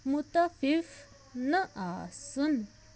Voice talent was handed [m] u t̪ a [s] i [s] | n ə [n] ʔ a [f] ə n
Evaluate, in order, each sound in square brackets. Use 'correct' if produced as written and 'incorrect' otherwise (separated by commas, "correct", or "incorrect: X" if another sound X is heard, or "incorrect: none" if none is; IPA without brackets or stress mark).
correct, incorrect: f, incorrect: f, incorrect: none, incorrect: s